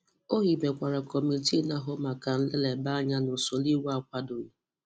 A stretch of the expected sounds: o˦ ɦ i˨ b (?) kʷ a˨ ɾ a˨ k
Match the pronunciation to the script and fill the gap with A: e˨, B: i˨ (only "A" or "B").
A